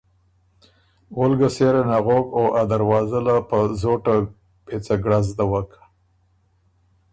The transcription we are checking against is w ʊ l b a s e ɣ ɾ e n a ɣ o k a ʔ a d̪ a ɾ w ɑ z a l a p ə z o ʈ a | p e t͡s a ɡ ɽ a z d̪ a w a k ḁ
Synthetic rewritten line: w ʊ l ɡ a s e ɾ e n a ɣ o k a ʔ a d̪ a ɾ w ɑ z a l a p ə z o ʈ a | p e t͡s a ɡ ɽ a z d̪ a w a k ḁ